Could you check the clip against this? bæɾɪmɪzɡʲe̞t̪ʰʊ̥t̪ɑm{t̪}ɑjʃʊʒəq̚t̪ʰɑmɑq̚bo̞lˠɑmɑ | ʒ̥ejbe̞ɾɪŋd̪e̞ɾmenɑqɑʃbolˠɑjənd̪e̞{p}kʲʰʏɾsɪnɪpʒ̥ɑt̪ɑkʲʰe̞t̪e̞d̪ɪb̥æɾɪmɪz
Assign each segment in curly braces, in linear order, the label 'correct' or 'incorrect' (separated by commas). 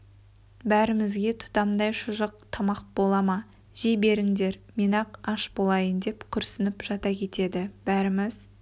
incorrect, correct